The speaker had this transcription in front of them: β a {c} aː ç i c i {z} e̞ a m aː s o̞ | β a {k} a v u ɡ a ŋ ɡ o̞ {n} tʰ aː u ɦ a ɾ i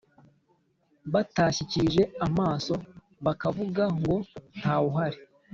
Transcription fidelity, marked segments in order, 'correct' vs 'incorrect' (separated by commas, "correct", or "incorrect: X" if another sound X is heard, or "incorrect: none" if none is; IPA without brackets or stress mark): incorrect: t, incorrect: ʒ, correct, correct